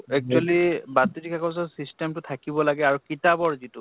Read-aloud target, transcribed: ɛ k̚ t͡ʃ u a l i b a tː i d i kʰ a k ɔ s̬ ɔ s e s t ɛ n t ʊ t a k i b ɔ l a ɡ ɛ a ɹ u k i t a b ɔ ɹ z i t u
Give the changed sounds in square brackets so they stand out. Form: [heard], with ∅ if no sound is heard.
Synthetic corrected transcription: ɛ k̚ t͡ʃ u a l i b a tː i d i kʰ a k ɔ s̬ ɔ s [i] s t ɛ [m] t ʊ [tʰ] a k i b ɔ l a ɡ ɛ a ɹ u k i t a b ɔ ɹ z i t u

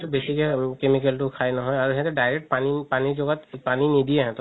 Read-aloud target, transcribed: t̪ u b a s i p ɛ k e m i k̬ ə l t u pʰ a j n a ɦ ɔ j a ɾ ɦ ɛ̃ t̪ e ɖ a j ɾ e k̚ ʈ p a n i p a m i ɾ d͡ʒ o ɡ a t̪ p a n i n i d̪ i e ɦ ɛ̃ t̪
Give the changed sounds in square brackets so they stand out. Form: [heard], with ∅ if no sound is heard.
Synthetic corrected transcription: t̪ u b [e] s i [k] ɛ k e m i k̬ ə l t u [kʰ] a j n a ɦ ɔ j a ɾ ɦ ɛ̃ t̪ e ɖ a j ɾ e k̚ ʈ p a n i p a [n] i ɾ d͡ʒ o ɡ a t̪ p a n i n i d̪ i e ɦ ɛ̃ t̪

